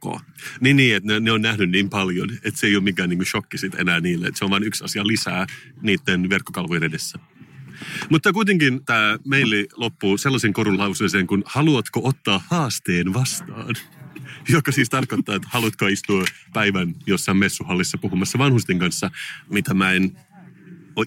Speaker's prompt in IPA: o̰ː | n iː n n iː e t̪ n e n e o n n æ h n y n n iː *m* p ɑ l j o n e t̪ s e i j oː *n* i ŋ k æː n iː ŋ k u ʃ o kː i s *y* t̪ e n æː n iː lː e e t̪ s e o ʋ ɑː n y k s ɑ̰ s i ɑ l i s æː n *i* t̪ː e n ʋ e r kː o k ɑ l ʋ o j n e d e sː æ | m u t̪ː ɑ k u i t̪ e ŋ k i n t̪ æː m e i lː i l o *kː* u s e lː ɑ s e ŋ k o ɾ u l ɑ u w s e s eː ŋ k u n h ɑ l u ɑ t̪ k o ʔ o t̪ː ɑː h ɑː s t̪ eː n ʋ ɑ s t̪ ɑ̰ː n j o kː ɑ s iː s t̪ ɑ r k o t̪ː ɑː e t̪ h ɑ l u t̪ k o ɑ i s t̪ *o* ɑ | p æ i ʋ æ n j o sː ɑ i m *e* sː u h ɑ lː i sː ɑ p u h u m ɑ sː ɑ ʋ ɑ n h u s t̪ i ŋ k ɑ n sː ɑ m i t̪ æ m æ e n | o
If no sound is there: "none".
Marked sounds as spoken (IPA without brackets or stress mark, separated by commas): m, m, i, iː, pː, u, e